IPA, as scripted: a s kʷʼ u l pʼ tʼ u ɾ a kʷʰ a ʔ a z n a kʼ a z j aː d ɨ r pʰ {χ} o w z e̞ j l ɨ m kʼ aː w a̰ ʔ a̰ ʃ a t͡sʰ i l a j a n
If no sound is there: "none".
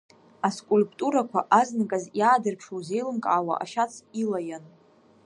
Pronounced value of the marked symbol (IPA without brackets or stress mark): ʂ